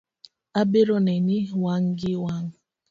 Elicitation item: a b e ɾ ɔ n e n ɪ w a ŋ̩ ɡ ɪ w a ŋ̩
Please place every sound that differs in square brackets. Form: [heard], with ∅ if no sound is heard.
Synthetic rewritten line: a b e ɾ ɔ n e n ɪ w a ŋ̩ ɡ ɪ w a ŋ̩